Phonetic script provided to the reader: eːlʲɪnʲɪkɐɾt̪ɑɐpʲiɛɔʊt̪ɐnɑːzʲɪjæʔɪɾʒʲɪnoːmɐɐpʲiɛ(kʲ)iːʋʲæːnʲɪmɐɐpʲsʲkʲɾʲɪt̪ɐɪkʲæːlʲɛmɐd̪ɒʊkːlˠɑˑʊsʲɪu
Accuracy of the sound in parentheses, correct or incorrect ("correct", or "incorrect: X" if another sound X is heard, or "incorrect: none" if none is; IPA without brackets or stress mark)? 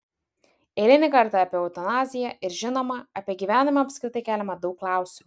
incorrect: ɡʲ